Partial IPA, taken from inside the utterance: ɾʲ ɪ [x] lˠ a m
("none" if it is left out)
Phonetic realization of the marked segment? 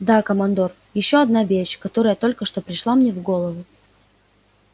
ʂ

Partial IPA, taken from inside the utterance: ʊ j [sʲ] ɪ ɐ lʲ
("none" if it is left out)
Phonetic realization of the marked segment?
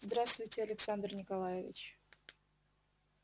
tʲ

